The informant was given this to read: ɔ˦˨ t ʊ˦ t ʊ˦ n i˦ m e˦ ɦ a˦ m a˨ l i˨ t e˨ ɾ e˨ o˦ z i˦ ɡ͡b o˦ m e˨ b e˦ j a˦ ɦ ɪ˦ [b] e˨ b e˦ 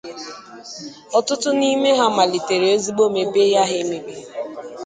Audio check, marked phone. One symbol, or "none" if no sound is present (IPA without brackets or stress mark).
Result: m